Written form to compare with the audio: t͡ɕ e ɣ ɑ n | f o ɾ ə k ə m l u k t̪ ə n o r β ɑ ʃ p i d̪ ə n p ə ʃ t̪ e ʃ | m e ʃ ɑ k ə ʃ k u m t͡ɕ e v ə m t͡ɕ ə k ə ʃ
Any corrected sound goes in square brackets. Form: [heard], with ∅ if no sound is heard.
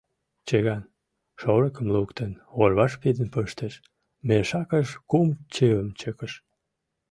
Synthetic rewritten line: t͡ɕ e ɣ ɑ n | [ʃ] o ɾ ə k ə m l u k t̪ ə n o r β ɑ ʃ p i d̪ ə n p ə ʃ t̪ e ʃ | m e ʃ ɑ k ə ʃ k u m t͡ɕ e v ə m t͡ɕ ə k ə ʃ